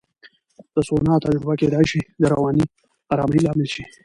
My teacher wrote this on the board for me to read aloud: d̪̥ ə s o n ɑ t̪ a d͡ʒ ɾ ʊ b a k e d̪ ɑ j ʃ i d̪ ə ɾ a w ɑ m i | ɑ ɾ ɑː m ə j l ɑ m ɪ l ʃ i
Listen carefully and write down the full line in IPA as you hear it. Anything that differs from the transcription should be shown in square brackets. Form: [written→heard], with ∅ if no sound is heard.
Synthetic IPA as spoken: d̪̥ ə s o n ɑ t̪ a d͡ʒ ɾ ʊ b a k e d̪ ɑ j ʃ i d̪ ə ɾ a w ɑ [m→n] i | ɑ ɾ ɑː m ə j l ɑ m ɪ l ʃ i